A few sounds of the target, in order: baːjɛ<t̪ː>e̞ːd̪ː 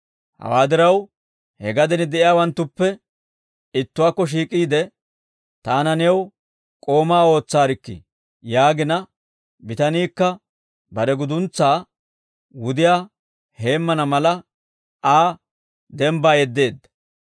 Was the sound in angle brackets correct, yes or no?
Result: no